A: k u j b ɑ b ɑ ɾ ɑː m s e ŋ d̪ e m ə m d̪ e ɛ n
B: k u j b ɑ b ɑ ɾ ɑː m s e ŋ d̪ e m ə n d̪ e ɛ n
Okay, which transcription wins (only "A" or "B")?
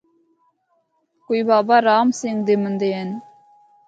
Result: B